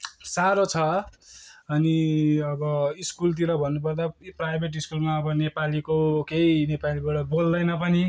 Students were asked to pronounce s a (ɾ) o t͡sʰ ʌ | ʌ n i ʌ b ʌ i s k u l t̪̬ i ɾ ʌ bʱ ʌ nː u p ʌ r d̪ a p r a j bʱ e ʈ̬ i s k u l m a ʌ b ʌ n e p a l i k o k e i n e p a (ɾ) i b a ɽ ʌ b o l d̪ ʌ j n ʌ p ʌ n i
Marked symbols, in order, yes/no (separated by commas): yes, no